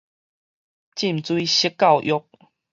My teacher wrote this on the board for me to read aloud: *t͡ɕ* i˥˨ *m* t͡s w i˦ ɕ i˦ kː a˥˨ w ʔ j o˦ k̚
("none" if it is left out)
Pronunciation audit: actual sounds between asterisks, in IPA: t͡ɕ, m

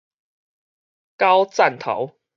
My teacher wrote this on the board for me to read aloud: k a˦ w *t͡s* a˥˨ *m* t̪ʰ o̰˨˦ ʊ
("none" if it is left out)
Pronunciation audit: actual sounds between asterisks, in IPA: t͡s, n

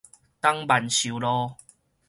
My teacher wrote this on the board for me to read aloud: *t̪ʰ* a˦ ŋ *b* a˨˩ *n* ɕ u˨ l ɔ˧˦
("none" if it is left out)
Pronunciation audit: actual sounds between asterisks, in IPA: t̪, b, n

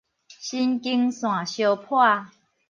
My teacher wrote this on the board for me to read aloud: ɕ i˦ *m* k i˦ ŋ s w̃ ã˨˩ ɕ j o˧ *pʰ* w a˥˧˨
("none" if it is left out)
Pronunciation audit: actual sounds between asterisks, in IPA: n, pʰ

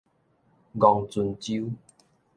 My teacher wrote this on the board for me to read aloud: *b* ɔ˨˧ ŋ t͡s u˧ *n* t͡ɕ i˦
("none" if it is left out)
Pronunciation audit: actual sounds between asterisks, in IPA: ɡ, n

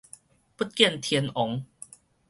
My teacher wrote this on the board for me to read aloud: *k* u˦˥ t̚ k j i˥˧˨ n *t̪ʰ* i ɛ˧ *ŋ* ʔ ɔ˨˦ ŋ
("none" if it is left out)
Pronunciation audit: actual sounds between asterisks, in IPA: p, t̪ʰ, n

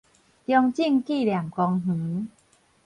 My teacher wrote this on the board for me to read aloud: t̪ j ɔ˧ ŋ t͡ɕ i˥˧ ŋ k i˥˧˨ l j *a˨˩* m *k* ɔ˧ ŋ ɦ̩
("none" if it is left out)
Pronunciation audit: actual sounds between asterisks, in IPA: a˨˩, k

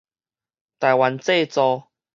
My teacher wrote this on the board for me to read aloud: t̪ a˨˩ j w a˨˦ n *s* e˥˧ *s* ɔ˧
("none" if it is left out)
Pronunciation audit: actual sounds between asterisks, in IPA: t͡s, t͡s

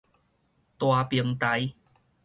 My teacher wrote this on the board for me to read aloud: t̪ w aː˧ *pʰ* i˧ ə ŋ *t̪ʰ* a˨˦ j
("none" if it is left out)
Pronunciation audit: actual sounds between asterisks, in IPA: p, t̪

